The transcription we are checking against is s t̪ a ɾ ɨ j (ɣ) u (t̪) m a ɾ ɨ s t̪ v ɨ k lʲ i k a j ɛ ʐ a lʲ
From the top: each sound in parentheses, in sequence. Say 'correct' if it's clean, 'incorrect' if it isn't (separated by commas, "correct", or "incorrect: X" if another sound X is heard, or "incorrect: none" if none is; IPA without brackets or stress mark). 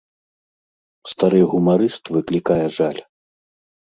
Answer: correct, incorrect: none